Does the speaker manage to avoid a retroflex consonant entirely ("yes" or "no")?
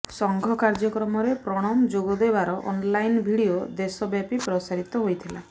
no